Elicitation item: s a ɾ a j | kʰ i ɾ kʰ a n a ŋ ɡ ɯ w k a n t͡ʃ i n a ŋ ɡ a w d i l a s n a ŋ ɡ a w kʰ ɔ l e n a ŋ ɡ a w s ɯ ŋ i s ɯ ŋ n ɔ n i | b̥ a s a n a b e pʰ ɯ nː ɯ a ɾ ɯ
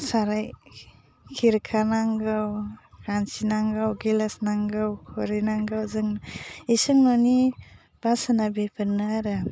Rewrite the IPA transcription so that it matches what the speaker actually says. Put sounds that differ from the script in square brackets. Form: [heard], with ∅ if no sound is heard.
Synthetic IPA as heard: s a ɾ a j | kʰ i ɾ kʰ a n a ŋ ɡ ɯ w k a n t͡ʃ i n a ŋ ɡ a w [ɡ] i l a s n a ŋ ɡ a w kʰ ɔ [ɾ] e n a ŋ ɡ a w [z] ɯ ŋ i s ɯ ŋ n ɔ n i | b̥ a s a n a b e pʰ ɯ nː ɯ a ɾ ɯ